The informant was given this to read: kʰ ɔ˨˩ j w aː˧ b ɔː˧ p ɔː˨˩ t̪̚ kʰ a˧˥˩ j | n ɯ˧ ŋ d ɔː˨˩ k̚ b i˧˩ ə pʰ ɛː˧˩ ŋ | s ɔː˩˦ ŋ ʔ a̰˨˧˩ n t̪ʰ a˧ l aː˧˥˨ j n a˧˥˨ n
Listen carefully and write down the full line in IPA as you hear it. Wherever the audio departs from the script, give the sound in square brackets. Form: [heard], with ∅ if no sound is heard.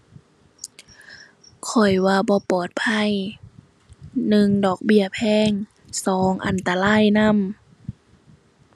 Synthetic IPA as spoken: kʰ ɔ˨˩ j w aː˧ b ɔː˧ p ɔː˨˩ t̪̚ [pʰ] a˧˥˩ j | n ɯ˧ ŋ d ɔː˨˩ k̚ b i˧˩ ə pʰ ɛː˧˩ ŋ | s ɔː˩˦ ŋ ʔ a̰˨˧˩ n [t̪] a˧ l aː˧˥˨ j n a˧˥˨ [m]